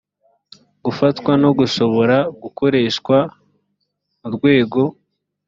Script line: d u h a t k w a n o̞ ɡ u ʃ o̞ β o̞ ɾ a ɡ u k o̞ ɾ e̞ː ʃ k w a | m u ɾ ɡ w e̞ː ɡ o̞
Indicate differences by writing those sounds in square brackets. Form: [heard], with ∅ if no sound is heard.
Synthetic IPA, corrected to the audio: [ɡ] u [f] a t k w a n o̞ ɡ u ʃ o̞ β o̞ ɾ a ɡ u k o̞ ɾ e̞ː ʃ k w a | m u ɾ ɡ w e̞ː ɡ o̞